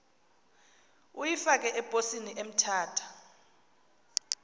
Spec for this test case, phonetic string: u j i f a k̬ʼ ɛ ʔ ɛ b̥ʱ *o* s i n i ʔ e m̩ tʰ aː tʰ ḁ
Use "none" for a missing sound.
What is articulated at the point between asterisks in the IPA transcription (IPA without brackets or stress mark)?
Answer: o